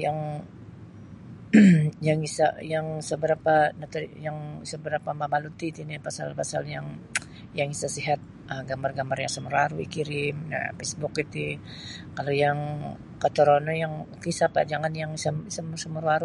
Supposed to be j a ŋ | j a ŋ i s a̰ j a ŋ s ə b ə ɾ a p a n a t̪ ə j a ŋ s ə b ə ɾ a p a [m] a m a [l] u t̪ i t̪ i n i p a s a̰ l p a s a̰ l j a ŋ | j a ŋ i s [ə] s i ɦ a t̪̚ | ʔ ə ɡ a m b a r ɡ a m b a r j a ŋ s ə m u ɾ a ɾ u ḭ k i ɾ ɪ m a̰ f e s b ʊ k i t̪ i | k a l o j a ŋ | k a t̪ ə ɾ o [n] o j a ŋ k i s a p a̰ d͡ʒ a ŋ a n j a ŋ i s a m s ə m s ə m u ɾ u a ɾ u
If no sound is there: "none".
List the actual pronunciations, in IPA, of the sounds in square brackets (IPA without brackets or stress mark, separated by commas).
m, l, a, n